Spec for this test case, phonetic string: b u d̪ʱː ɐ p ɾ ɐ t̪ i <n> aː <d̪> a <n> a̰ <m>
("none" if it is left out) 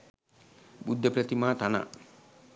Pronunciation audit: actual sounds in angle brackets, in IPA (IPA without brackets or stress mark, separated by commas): m, t̪, n, none